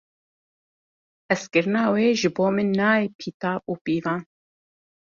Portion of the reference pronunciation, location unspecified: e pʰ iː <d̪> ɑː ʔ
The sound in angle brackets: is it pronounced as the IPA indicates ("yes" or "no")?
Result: no